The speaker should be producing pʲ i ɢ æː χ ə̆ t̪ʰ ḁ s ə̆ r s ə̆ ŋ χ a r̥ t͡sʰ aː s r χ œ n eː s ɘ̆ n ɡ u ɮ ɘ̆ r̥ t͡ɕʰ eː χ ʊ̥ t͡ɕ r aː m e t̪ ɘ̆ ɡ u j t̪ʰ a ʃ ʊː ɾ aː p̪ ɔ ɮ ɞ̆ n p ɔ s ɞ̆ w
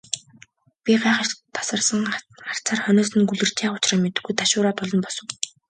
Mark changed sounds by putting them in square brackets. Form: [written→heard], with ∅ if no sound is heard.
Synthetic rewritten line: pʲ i ɢ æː χ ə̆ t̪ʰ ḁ s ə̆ r s ə̆ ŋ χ a r̥ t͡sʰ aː [s→∅] r χ œ n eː s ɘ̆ n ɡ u ɮ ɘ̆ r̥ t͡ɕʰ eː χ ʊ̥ t͡ɕ r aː m e t̪ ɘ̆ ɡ u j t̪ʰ a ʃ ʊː ɾ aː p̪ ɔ ɮ ɞ̆ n p ɔ s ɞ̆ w